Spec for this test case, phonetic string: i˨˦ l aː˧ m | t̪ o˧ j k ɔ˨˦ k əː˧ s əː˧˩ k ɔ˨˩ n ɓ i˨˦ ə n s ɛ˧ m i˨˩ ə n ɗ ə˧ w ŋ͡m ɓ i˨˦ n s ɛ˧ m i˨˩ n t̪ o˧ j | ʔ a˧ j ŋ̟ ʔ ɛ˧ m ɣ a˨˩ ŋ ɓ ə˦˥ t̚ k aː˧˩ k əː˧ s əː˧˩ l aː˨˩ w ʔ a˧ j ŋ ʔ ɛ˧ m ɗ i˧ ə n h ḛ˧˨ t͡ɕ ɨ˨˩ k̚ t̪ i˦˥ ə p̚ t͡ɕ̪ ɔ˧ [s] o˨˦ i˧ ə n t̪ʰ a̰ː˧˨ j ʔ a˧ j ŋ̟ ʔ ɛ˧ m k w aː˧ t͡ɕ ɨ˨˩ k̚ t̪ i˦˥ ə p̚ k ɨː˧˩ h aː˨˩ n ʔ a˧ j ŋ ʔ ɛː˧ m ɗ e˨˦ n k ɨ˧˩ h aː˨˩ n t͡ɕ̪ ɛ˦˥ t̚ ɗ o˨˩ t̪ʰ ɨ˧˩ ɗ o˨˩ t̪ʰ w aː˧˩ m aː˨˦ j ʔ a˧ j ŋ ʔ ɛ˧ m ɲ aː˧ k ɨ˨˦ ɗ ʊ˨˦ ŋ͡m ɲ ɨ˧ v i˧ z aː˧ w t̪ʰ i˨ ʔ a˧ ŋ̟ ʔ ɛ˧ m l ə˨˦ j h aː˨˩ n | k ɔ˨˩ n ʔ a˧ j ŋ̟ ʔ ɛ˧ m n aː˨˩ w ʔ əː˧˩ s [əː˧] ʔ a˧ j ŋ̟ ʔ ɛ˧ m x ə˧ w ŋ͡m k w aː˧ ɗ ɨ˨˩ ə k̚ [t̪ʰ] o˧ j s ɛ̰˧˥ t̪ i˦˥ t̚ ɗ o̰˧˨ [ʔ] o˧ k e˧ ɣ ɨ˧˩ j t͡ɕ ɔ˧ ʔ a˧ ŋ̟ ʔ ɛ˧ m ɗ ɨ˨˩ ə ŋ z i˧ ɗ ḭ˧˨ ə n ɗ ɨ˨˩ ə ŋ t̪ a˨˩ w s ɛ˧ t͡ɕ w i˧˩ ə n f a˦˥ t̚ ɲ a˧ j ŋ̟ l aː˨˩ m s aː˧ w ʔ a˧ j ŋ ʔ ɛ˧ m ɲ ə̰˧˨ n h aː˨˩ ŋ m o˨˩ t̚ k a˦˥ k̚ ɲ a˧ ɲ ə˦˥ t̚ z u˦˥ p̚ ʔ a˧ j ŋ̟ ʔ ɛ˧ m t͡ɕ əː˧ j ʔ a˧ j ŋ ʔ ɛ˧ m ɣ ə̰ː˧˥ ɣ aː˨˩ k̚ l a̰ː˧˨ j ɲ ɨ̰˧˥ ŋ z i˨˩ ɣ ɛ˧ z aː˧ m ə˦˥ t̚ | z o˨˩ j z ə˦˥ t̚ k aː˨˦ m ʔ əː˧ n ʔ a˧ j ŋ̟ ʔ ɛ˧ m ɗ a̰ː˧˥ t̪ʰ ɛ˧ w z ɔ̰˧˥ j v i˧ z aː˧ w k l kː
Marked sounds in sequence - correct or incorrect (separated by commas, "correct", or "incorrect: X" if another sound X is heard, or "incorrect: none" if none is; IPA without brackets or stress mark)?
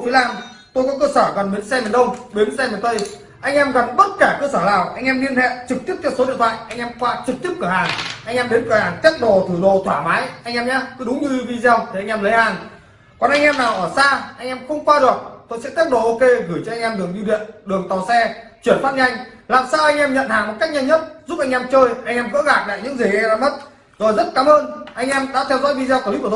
correct, incorrect: aː˧, incorrect: t̪, correct